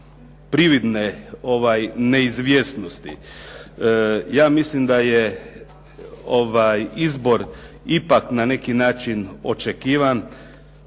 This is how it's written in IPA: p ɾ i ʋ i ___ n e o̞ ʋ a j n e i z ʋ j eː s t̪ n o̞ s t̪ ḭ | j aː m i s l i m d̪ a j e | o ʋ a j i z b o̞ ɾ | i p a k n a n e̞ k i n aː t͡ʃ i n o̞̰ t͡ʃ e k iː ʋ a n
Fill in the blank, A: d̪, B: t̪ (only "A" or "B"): A